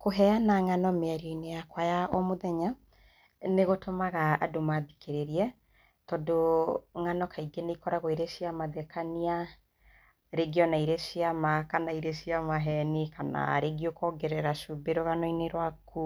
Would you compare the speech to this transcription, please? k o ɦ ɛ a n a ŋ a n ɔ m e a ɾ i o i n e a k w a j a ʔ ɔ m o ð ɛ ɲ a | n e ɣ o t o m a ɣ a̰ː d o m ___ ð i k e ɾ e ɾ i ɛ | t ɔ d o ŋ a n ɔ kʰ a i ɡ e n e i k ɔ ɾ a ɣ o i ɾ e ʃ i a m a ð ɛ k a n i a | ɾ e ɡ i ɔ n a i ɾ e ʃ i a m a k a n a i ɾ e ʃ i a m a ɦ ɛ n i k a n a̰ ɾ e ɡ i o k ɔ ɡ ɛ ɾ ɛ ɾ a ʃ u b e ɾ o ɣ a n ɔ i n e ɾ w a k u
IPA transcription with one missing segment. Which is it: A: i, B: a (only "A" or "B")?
B